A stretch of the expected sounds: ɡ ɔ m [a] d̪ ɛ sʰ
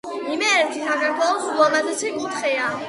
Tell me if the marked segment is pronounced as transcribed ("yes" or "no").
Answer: yes